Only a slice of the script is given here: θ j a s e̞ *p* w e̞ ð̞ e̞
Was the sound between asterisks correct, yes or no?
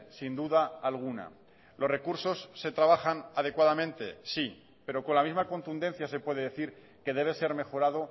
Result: yes